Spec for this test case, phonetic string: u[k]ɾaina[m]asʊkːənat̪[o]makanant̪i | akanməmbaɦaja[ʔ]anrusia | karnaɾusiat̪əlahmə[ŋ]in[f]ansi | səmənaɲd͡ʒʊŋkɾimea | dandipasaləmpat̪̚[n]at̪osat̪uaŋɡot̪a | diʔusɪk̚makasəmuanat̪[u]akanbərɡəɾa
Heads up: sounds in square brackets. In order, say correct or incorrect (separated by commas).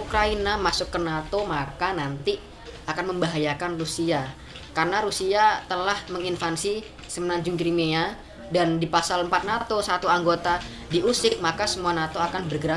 correct, correct, correct, incorrect, correct, correct, correct, incorrect